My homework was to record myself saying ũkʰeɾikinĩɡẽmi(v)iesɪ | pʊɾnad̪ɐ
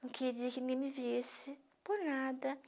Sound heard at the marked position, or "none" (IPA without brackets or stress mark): v